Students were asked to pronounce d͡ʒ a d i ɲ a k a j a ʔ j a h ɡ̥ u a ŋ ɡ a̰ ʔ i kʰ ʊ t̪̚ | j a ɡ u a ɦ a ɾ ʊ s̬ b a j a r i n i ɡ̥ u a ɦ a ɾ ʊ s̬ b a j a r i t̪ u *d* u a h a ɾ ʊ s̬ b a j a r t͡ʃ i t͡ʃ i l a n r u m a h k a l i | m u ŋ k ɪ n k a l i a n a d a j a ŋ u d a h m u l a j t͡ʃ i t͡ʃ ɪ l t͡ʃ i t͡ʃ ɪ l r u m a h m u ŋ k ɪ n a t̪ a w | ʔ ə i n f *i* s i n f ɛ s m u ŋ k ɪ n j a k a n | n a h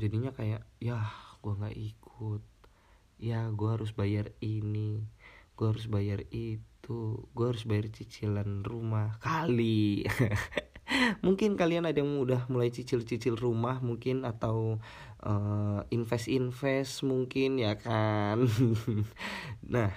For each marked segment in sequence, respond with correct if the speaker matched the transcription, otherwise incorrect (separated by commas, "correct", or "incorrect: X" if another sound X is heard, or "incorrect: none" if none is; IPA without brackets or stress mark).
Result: incorrect: ɡ, incorrect: ɛ